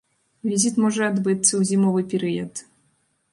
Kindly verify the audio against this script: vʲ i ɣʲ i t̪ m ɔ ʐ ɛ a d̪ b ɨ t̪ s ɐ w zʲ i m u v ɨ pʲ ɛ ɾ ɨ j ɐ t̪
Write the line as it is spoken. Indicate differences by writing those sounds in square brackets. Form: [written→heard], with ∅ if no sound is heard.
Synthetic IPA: vʲ i [ɣʲ→zʲ] i t̪ m ɔ ʐ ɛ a d̪ b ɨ t̪ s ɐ w zʲ i m [u→ɔ] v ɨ pʲ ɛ ɾ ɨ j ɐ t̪